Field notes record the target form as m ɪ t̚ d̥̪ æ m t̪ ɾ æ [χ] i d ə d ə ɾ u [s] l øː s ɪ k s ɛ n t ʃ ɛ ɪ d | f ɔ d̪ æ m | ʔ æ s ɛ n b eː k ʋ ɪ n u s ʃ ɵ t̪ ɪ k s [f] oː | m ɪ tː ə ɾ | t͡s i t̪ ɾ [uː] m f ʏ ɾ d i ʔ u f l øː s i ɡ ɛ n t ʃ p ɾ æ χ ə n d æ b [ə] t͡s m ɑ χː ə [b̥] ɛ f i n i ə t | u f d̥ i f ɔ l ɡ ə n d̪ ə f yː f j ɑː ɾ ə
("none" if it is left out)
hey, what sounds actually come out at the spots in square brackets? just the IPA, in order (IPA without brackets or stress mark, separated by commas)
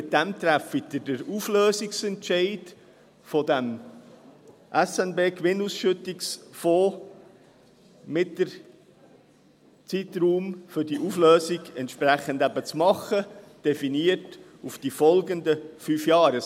f, f, f, uː, ə, d̥